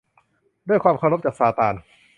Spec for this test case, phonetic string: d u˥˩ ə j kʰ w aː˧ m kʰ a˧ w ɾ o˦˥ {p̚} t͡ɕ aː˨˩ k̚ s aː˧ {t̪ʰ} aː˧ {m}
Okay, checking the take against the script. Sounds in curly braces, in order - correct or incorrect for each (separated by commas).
correct, incorrect, incorrect